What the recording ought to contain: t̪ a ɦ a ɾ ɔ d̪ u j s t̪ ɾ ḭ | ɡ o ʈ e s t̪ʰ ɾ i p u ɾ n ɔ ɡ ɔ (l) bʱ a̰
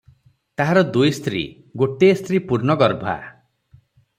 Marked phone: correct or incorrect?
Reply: incorrect